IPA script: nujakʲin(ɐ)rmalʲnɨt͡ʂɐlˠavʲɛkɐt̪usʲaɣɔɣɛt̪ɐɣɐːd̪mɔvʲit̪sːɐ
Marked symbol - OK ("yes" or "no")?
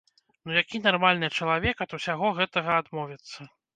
no